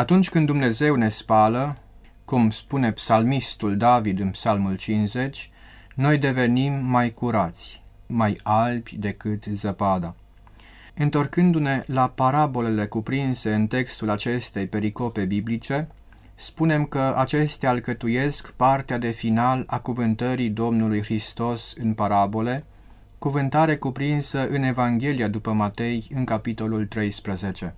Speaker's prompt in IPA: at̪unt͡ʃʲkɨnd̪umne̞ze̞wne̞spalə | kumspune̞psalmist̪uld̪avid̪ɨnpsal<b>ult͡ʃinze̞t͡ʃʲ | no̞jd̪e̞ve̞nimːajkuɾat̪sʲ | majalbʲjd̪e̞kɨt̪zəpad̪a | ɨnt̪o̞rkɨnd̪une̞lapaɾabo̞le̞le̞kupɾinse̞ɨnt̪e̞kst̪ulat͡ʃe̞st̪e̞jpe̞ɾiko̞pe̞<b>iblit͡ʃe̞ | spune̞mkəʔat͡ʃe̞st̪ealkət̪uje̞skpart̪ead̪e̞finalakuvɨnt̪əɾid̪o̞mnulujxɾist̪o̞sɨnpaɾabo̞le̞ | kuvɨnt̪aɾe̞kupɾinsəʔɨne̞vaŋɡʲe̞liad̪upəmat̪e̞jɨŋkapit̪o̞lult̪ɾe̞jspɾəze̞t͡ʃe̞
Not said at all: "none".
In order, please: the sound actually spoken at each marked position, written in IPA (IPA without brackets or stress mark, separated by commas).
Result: m, b